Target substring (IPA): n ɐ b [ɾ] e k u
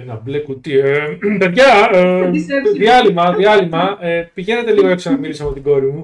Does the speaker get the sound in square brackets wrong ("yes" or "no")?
yes